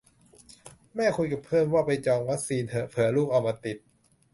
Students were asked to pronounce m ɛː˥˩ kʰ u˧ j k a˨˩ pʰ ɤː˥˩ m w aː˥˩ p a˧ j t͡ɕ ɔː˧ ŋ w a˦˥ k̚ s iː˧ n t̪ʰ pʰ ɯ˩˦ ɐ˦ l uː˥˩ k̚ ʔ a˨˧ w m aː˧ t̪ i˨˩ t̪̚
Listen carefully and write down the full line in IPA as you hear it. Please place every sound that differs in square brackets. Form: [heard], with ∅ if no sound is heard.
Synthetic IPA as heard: m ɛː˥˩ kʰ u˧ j k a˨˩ pʰ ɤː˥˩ m w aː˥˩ p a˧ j t͡ɕ ɔː˧ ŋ w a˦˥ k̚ s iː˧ n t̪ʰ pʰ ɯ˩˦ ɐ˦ l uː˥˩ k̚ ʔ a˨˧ w m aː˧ t̪ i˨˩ t̪̚